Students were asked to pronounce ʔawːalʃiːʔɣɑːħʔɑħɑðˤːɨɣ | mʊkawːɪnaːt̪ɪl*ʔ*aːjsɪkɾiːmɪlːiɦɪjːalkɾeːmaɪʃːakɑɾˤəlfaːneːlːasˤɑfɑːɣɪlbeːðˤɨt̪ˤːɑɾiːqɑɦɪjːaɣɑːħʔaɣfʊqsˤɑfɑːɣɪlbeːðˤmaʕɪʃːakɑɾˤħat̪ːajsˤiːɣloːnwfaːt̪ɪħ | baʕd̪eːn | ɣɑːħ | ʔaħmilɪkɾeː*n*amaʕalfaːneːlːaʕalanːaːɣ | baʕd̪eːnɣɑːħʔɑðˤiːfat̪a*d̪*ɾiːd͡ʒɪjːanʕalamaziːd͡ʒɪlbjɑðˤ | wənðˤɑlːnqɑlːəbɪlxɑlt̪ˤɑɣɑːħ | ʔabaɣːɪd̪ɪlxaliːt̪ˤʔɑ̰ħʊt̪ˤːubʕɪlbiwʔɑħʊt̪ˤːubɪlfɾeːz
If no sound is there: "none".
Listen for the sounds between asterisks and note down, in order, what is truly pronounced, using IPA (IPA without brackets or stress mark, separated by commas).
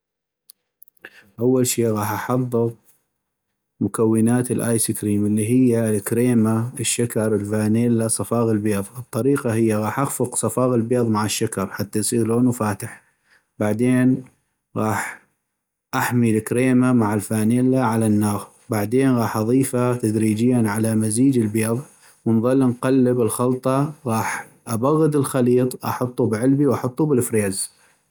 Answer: ʔ, m, d̪